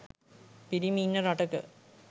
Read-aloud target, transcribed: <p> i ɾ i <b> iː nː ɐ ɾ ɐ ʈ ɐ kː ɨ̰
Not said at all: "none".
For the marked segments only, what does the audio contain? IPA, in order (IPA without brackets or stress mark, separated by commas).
p, m